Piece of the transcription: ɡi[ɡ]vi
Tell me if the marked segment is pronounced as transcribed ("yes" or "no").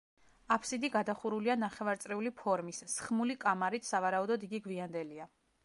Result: yes